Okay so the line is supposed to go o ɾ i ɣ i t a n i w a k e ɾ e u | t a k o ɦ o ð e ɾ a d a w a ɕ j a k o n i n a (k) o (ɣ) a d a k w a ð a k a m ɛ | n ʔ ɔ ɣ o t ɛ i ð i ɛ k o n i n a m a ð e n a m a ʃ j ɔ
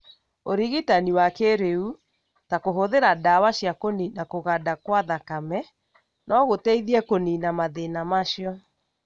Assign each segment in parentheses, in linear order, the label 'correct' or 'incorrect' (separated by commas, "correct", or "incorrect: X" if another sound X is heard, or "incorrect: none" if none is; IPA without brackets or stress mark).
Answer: correct, correct